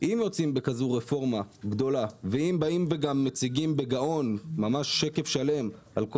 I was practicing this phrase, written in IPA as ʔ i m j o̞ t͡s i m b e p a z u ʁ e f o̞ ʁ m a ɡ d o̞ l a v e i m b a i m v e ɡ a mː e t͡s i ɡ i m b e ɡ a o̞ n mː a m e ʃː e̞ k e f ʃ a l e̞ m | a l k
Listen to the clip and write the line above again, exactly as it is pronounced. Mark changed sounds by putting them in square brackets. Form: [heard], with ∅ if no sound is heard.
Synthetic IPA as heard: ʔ i m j o̞ t͡s i m b e [k] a z u ʁ e f o̞ ʁ m a ɡ d o̞ l a v e i m b a i m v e ɡ a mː e t͡s i ɡ i m b e ɡ a o̞ n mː a m [a] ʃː e̞ k e f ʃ a l e̞ m | a l k